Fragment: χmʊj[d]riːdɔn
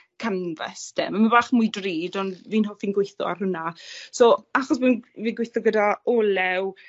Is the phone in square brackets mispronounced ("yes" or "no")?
no